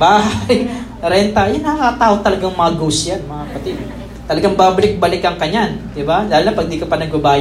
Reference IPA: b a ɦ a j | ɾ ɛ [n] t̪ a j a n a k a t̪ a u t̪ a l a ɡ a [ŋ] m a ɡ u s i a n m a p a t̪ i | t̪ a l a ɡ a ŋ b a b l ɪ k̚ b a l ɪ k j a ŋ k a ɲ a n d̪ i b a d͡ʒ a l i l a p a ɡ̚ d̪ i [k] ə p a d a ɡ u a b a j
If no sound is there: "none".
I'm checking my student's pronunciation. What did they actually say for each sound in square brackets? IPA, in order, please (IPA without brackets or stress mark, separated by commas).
n, ŋ, k